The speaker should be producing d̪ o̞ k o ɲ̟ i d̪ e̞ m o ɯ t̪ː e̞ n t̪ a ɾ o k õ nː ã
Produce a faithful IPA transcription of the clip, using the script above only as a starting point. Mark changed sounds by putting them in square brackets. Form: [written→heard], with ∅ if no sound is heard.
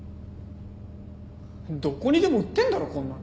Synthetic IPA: d̪ o̞ k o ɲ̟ i d̪ e̞ m o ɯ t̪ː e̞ n [t̪→d̪] a ɾ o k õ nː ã

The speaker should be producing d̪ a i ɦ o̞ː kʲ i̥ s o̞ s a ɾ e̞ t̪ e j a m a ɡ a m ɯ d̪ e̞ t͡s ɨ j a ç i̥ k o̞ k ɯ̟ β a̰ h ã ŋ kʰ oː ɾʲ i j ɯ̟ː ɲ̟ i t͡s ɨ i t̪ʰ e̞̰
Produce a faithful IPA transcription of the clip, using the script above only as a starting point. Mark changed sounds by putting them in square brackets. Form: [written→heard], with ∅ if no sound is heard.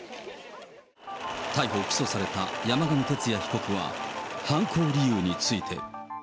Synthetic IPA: [d̪→t̪] a i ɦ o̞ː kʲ i̥ s o̞ s a ɾ e̞ t̪ [e→a] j a m a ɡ a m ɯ [d̪→t̪] e̞ t͡s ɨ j a ç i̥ k o̞ k ɯ̟ β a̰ h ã ŋ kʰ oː ɾʲ i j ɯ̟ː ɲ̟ i t͡s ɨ i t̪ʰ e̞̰

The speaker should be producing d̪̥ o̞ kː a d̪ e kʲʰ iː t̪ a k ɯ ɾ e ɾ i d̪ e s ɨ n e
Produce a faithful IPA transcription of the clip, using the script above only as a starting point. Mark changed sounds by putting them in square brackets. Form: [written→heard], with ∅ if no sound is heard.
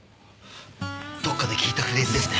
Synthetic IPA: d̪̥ o̞ kː a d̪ e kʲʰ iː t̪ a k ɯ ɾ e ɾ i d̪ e s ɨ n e

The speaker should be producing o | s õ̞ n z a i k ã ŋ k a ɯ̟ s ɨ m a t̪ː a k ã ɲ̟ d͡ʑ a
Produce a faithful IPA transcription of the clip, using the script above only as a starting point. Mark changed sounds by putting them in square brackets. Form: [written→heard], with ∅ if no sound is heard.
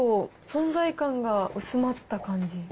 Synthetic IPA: o | s õ̞ n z a i k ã ŋ [k→ɡ] a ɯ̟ s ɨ m a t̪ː a k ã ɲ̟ d͡ʑ [a→i]

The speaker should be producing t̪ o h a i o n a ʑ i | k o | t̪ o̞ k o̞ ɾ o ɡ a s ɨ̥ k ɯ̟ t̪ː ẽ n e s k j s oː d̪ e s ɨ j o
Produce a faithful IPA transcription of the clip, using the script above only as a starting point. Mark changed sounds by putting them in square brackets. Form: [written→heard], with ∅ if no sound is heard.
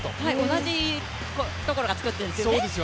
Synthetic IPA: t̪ o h a i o n a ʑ i | k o | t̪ o̞ k o̞ ɾ o ɡ a [s→t͡s] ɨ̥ k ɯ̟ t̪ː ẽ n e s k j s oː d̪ e s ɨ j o

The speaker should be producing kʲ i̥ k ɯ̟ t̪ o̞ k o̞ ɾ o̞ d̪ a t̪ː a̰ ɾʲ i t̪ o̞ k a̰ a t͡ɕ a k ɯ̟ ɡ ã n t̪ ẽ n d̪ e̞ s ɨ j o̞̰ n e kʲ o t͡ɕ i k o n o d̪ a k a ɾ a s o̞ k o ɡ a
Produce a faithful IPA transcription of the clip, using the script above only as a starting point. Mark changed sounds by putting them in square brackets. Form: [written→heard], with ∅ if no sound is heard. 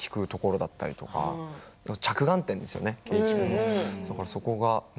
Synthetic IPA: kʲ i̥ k ɯ̟ t̪ o̞ k o̞ ɾ o̞ d̪ a t̪ː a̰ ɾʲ i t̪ o̞ k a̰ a t͡ɕ a k ɯ̟ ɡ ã n t̪ ẽ n d̪ e̞ s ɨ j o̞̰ n e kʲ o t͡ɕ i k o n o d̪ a k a ɾ a s o̞ k o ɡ a

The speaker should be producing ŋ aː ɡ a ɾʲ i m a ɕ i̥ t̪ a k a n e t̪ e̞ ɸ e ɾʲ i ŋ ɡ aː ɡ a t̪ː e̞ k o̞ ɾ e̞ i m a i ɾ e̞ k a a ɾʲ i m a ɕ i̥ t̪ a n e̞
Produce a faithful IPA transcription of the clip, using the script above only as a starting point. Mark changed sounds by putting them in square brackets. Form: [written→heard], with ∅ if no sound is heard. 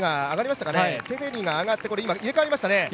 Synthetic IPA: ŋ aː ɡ a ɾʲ i m a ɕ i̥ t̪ a k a n e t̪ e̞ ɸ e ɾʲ i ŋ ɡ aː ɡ a t̪ː e̞ k o̞ ɾ e̞ i m a i ɾ e̞ k a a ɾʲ i m a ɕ i̥ t̪ a n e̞

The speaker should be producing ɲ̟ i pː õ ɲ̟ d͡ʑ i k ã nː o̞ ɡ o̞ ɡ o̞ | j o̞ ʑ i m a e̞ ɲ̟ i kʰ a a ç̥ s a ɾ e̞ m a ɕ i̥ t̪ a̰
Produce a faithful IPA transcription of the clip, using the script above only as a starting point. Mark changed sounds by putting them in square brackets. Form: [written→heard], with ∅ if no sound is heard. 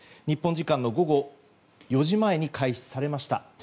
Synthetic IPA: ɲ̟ i pː õ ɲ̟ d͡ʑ i k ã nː o̞ ɡ o̞ ɡ o̞ | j o̞ ʑ i m a e̞ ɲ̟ i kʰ a [a→i] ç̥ s a ɾ e̞ m a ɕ i̥ t̪ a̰

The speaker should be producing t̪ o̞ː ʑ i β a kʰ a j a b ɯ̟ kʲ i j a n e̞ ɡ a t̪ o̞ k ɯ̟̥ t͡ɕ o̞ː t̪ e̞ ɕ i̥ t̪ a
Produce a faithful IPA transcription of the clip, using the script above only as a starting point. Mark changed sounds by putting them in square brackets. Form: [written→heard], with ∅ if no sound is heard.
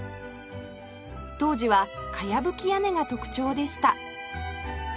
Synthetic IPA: t̪ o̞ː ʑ i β a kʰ a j a b ɯ̟ kʲ i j a n e̞ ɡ a t̪ o̞ k ɯ̟̥ t͡ɕ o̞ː [t̪→d̪] e̞ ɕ i̥ t̪ a

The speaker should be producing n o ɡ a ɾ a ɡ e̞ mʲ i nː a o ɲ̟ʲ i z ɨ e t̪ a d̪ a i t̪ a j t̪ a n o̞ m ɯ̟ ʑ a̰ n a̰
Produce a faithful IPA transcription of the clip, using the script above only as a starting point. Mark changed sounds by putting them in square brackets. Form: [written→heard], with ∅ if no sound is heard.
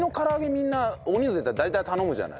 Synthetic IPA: n o [ɡ→k] a ɾ a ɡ e̞ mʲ i nː a o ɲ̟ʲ i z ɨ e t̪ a d̪ a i t̪ a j t̪ a n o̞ m ɯ̟ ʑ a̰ n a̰

